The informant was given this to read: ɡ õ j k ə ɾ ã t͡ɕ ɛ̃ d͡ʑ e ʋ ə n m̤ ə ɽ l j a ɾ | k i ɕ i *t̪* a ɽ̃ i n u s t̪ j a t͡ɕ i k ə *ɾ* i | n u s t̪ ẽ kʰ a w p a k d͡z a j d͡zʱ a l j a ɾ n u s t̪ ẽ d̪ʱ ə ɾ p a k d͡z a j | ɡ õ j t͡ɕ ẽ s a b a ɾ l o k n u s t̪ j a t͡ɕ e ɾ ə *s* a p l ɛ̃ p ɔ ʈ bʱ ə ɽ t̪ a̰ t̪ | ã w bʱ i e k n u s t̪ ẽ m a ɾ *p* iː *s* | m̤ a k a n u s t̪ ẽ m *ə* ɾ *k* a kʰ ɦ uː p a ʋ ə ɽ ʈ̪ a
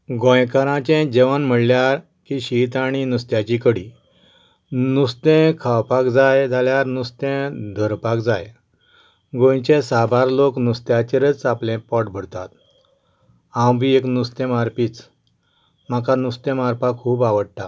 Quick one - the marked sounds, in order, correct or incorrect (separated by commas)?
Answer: correct, incorrect, incorrect, correct, incorrect, incorrect, incorrect